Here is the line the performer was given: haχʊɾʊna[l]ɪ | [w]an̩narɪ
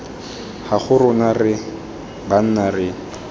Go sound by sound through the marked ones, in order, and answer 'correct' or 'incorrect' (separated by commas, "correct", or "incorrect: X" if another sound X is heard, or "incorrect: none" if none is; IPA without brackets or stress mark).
incorrect: r, incorrect: b